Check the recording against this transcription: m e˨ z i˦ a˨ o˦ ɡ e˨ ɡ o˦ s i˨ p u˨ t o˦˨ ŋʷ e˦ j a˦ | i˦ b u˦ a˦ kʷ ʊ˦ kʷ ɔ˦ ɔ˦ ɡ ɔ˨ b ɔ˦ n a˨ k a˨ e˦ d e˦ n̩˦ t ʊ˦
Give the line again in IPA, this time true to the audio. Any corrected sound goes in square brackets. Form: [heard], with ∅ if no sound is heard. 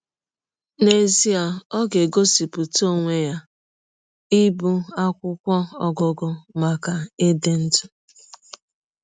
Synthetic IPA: [n] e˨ z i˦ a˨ [ɔ˦] ɡ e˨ ɡ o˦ s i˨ p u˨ t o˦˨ ŋʷ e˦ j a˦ | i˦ b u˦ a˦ kʷ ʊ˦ kʷ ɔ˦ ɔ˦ ɡ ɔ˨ [ɡ] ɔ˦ [m] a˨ k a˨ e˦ d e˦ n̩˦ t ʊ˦

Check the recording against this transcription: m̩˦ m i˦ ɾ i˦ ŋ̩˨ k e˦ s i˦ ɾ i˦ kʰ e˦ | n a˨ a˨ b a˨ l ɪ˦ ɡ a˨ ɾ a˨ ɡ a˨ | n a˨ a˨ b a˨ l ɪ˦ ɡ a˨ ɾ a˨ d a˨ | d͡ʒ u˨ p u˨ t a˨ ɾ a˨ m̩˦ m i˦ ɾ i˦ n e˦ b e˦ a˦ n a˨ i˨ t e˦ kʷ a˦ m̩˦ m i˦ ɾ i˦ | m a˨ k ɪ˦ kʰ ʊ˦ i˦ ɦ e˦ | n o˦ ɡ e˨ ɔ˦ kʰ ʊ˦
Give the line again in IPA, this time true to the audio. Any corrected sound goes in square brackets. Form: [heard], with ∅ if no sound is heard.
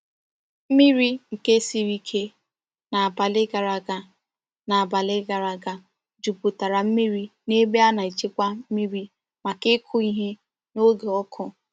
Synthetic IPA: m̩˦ m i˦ ɾ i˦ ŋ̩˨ k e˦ s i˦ ɾ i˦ kʰ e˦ | n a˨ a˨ b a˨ l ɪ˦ ɡ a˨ ɾ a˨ ɡ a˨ | n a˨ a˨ b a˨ l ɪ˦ ɡ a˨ ɾ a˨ [ɡ] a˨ | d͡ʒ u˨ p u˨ t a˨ ɾ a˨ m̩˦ m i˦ ɾ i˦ n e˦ b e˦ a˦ n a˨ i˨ [t͡ʃ] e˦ kʷ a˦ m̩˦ m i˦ ɾ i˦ | m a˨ k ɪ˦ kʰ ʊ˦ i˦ ɦ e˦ | n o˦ ɡ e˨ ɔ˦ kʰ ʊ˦

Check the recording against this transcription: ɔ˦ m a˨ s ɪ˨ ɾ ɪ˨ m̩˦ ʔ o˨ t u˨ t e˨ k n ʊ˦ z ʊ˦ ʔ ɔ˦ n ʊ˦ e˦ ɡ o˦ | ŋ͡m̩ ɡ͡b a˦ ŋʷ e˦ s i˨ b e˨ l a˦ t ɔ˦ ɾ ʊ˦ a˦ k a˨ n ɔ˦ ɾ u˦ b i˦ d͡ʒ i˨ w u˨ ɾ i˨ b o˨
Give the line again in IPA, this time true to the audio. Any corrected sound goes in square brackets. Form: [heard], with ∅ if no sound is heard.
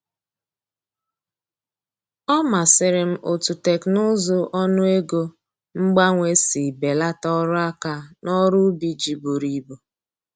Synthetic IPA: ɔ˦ m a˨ s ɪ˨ ɾ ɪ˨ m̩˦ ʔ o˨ t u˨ t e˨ k n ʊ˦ z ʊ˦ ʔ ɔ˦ n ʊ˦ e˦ ɡ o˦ | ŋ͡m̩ ɡ͡b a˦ ŋʷ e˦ s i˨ b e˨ l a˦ t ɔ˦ ɾ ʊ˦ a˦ k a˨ n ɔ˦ ɾ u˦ b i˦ d͡ʒ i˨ [b] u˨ ɾ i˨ b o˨

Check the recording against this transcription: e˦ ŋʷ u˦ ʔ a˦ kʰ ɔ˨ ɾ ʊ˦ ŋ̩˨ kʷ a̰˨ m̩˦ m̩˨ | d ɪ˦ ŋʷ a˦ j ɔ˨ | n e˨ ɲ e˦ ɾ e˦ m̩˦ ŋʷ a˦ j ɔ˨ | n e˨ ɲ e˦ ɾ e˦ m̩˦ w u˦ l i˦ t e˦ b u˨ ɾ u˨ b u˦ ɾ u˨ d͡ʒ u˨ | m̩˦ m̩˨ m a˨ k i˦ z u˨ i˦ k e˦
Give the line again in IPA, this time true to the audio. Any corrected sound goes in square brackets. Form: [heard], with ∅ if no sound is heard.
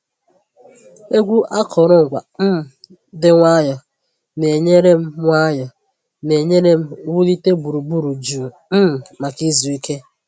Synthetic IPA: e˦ [ɡʷ] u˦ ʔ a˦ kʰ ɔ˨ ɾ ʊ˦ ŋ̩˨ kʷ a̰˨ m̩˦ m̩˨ | d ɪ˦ ŋʷ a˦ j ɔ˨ | n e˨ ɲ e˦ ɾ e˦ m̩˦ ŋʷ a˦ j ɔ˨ | n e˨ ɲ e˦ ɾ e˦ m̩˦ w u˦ l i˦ t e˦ b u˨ ɾ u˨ b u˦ ɾ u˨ d͡ʒ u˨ | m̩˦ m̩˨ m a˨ k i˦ z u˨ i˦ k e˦

